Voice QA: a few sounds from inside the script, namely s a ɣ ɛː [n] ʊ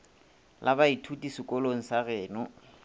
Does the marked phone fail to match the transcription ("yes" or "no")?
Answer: no